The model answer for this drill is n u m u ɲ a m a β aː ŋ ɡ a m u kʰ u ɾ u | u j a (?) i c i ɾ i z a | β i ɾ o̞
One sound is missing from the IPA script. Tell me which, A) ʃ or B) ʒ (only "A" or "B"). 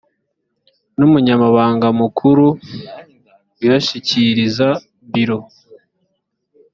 A